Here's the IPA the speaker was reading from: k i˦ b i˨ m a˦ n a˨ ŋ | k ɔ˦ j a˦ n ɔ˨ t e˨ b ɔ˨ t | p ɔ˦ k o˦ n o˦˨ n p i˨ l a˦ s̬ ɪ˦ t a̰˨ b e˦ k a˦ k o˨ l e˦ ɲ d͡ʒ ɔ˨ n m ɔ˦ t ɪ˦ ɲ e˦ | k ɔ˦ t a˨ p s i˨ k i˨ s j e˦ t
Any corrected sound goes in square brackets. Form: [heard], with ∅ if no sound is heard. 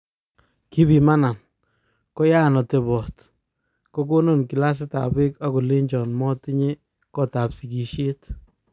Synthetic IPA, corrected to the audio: k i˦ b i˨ m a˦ n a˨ [n] | k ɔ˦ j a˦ n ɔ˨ t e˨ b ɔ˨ t | [k] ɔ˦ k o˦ n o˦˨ n [k] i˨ l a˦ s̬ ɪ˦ t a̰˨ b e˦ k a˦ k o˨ l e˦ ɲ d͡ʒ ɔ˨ n m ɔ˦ t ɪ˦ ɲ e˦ | k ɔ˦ t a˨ p s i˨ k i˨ [ʃ] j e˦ t